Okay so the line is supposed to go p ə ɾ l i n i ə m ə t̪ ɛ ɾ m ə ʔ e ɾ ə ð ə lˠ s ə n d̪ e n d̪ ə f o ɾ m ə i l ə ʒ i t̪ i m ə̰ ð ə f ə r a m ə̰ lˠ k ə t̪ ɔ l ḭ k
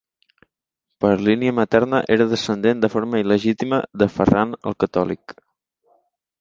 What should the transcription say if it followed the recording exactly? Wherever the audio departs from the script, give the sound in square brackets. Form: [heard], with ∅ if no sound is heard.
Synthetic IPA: p ə ɾ l i n i ə m ə t̪ ɛ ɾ [n] ə ʔ e ɾ ə ð ə [∅] s ə n d̪ e n d̪ ə f o ɾ m ə i l ə ʒ i t̪ i m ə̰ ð ə f ə r a [n] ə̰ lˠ k ə t̪ ɔ l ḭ k